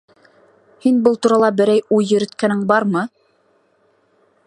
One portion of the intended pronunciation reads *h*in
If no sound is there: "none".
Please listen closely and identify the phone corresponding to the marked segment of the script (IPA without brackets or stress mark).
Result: h